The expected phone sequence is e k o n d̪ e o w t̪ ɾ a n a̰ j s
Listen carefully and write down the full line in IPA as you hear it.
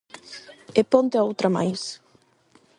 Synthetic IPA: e p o n t̪ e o w t̪ ɾ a m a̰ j s